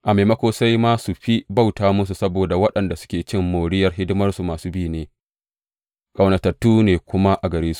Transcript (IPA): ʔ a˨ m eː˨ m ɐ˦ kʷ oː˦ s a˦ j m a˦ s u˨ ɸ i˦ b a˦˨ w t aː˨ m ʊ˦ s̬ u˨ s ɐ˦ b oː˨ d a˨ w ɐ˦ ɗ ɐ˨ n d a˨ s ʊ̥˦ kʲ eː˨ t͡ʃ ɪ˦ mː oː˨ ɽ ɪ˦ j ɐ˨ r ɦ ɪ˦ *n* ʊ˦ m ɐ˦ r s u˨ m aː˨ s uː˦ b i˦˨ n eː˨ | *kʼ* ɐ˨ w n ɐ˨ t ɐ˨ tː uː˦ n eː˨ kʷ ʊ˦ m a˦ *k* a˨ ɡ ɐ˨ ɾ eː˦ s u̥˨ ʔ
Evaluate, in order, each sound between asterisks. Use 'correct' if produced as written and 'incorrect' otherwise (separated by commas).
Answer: incorrect, correct, incorrect